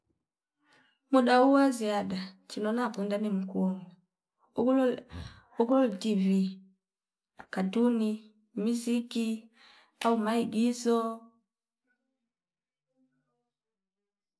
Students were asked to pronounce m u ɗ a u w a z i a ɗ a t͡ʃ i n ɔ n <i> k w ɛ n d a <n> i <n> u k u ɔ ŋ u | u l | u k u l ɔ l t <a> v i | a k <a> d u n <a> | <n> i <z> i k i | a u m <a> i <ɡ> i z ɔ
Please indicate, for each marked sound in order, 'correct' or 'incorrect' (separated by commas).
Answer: incorrect, correct, incorrect, incorrect, correct, incorrect, incorrect, correct, correct, correct